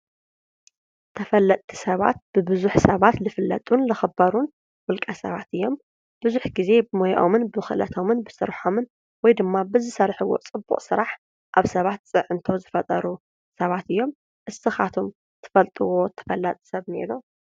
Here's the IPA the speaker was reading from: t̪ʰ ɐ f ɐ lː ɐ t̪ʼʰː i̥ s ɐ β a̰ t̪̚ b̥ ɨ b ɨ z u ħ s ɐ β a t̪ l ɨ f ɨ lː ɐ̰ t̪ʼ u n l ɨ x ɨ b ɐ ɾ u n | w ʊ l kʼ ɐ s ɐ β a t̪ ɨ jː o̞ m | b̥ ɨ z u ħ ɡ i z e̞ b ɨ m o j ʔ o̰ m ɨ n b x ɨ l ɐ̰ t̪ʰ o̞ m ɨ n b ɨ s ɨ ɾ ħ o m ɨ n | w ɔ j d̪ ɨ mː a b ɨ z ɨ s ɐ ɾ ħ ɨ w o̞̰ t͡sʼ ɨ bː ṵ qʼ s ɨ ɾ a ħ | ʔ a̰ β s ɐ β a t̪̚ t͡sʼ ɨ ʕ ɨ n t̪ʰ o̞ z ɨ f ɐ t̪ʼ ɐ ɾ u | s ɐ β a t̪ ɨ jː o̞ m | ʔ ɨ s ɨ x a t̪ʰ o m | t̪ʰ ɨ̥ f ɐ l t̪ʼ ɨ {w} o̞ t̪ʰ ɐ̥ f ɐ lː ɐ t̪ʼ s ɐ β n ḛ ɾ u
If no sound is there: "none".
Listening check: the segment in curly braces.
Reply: w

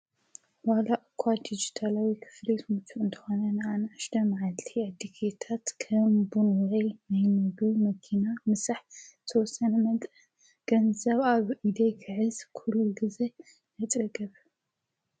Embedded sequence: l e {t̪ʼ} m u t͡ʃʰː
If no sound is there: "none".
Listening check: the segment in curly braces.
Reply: t̪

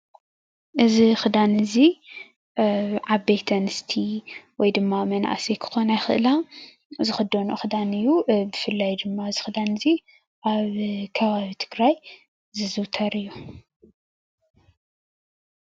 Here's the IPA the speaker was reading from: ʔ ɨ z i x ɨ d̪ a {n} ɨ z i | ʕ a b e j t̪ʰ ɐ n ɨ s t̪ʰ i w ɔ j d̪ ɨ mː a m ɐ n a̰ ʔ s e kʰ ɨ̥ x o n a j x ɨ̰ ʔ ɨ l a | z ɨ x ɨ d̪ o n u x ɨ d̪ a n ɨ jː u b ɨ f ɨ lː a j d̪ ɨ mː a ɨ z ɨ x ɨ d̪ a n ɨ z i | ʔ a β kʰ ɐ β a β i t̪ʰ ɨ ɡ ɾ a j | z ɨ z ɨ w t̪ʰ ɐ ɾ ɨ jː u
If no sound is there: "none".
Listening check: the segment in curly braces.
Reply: n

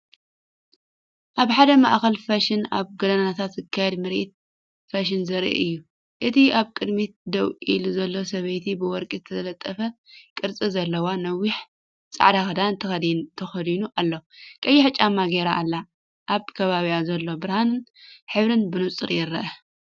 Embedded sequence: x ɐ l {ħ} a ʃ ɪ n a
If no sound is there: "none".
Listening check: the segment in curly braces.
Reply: f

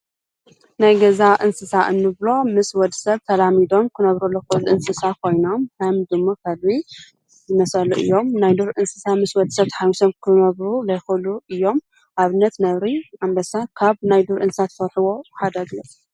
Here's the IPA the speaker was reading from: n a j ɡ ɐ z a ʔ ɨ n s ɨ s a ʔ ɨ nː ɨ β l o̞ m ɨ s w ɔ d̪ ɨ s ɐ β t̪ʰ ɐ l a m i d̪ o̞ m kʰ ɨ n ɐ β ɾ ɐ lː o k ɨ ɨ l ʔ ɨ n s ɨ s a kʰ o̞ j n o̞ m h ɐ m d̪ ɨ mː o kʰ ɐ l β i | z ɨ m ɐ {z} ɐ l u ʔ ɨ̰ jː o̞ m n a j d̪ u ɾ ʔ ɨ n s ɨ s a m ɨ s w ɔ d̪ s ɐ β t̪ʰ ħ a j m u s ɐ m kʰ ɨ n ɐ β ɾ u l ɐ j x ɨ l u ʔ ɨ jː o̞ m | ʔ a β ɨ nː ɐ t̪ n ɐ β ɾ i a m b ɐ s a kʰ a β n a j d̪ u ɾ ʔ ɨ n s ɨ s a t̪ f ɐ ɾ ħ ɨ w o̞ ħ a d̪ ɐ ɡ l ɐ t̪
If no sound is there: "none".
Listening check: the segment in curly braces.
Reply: s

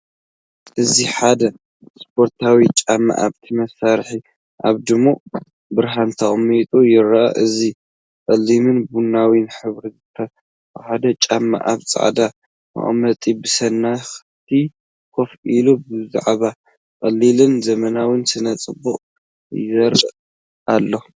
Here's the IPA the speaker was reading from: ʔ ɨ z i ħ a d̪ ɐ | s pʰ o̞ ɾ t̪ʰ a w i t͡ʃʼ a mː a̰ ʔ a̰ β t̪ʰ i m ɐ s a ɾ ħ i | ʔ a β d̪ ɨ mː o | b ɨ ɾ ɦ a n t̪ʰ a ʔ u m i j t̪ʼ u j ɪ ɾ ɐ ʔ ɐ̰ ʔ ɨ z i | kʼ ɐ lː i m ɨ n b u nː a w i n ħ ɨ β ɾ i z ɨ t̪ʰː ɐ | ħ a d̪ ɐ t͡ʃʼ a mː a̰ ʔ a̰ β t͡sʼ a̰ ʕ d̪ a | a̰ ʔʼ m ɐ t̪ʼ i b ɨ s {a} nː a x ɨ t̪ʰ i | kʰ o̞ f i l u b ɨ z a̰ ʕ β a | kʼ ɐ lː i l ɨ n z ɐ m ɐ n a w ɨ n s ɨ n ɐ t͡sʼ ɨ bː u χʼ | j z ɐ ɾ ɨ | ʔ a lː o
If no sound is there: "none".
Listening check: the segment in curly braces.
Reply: ɐ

